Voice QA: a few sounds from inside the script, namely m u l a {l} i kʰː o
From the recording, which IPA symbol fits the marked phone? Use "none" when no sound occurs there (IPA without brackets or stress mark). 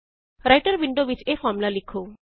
l